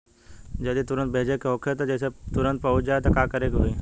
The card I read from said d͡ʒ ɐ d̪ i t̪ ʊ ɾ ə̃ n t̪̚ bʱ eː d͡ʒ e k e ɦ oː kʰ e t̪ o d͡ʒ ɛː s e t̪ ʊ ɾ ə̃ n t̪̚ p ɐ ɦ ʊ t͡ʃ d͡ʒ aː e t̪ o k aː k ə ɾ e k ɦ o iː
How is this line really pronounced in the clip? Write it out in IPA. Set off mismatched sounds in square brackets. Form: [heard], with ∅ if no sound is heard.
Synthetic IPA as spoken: d͡ʒ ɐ d̪ i t̪ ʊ ɾ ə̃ n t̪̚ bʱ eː d͡ʒ e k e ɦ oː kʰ e t̪ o d͡ʒ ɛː s e t̪ ʊ ɾ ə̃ n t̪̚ p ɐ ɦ ʊ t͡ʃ d͡ʒ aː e t̪ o k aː k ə ɾ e k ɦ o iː